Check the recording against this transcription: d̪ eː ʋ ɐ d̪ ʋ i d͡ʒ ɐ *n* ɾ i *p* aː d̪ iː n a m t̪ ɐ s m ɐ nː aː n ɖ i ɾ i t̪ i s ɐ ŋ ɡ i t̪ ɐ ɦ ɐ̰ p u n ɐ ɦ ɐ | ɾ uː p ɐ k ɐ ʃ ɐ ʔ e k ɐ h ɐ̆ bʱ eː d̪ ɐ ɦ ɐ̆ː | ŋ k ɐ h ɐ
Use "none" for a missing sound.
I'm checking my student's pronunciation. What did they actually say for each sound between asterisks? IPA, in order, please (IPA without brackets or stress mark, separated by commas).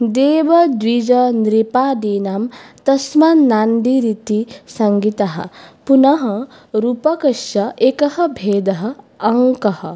n, p